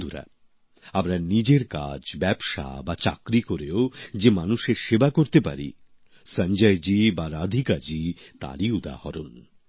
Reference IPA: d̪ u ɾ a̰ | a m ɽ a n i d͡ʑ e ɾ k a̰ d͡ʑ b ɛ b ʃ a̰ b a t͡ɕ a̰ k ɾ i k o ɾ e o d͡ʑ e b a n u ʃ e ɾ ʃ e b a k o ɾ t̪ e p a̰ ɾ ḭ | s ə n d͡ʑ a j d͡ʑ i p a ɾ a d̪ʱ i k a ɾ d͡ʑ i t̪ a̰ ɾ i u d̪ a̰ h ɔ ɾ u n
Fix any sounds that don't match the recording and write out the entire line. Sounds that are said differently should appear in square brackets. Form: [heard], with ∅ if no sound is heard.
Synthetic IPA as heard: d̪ u ɾ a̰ | a m [ɾ] a n i d͡ʑ e ɾ k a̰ d͡ʑ b ɛ b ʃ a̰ b a t͡ɕ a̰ k ɾ i k o ɾ e o d͡ʑ e [m] a n u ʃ e ɾ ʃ e b a k o ɾ t̪ e p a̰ ɾ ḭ | s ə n d͡ʑ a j d͡ʑ i [b] a ɾ a d̪ʱ i k a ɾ d͡ʑ i t̪ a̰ ɾ i u d̪ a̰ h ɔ ɾ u n